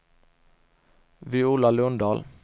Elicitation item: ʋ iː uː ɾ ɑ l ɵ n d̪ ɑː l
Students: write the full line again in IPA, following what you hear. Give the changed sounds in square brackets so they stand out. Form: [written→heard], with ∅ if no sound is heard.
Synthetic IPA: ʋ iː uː [ɾ→l] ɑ l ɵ n d̪ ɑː l